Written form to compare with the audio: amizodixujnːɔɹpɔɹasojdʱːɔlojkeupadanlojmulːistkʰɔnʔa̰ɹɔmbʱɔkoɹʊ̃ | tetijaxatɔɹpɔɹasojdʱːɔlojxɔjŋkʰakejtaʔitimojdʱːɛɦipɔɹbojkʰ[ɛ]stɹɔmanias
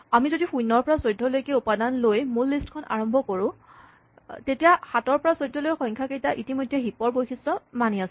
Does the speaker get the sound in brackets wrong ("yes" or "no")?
yes